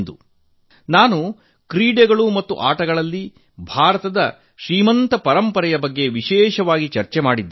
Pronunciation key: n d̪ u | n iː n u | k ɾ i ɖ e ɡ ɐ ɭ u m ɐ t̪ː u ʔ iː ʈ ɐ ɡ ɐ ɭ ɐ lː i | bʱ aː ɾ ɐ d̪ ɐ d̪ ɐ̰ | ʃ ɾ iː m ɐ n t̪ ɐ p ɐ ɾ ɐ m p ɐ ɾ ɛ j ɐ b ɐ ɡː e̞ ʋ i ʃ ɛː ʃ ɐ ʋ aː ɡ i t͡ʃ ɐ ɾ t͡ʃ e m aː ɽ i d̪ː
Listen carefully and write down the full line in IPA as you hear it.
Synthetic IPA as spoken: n d̪ u | n aː n u | k ɾ iː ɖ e ɡ ɐ ɭ u m ɐ t̪ː u ʔ aː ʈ ɐ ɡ ɐ ɭ ɐ lː i | bʱ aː ɾ ɐ t̪ ɐ d̪ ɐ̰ | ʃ ɾ iː m ɐ n t̪ ɐ p ɐ ɾ ɐ m p ɐ ɾ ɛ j ɐ b ɐ ɡː e̞ ʋ i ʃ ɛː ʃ ɐ ʋ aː ɡ i t͡ʃ ɐ ɾ t͡ʃ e m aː ɽ i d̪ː